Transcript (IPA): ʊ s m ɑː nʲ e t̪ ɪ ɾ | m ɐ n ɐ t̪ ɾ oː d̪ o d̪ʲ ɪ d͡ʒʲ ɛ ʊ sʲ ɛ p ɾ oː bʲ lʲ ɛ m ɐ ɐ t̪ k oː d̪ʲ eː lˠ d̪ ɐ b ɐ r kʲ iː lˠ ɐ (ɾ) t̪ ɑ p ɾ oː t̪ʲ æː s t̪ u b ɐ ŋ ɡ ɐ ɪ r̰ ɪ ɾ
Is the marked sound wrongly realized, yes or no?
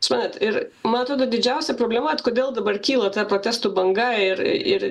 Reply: yes